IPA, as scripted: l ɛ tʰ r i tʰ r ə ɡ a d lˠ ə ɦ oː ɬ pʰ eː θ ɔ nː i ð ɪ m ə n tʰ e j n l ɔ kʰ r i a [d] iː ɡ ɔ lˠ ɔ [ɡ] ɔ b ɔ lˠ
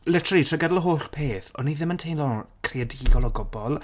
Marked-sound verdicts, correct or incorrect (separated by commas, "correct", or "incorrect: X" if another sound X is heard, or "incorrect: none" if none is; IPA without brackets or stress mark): correct, correct